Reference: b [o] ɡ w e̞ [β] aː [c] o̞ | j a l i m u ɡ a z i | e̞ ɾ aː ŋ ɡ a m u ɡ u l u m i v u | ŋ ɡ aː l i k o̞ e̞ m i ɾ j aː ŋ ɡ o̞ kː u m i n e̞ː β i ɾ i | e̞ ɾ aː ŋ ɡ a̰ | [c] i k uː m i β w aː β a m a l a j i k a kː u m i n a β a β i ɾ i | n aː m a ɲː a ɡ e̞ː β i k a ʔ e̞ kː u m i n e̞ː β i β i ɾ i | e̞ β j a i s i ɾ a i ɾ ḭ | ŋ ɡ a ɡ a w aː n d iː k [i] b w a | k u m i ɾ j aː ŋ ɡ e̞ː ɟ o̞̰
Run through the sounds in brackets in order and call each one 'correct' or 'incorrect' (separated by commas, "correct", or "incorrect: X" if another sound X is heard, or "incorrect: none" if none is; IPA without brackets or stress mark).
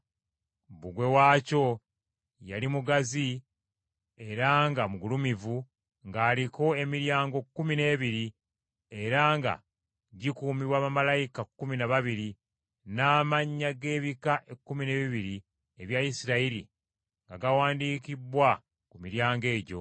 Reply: incorrect: u, incorrect: w, correct, incorrect: ɟ, correct